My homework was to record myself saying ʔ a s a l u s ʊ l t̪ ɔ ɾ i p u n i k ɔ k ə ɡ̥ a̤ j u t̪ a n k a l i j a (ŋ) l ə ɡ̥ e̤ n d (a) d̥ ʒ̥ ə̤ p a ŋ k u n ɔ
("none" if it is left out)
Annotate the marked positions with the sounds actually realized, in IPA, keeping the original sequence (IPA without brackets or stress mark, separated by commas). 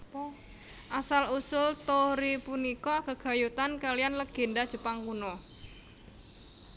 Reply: n, a